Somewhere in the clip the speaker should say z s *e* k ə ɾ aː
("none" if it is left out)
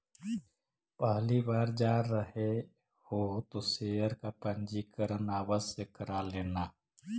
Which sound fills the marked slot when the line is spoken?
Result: e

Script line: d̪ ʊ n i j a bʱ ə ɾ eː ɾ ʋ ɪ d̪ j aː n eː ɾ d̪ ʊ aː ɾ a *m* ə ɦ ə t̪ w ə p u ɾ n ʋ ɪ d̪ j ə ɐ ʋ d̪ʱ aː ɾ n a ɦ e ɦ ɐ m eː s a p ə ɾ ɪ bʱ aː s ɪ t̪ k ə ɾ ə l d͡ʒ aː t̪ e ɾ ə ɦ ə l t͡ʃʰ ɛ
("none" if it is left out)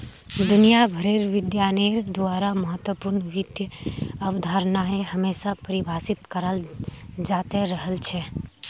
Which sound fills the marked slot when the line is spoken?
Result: m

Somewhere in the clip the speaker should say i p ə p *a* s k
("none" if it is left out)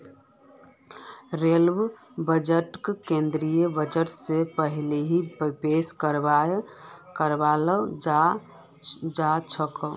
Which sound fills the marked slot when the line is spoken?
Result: e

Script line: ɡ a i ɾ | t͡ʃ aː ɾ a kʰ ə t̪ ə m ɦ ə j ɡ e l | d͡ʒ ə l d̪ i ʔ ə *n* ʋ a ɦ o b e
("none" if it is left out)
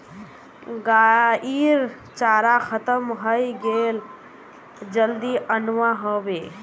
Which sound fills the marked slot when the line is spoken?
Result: n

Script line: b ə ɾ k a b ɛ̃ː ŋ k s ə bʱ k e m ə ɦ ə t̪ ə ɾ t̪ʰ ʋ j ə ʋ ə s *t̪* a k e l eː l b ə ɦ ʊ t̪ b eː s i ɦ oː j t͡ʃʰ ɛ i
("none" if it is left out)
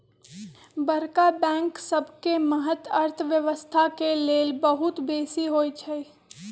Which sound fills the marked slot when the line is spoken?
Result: t̪ʰ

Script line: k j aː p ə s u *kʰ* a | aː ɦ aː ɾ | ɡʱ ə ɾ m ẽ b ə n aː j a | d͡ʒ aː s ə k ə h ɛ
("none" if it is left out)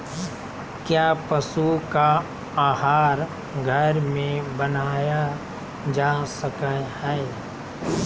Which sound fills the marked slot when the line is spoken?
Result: k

